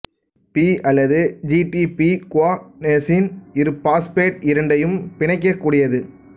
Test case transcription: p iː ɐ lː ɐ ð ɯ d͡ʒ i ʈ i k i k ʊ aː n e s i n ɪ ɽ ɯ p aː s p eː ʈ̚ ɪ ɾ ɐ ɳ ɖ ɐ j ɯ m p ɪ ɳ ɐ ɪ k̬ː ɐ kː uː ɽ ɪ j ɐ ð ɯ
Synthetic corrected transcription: p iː ɐ lː ɐ ð ɯ d͡ʒ i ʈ i p i k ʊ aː n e s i n ɪ ɾ ɯ p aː s p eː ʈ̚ ɪ ɾ ɐ ɳ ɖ ɐ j ɯ m p ɪ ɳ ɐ ɪ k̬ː ɐ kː uː ɽ ɪ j ɐ ð ɯ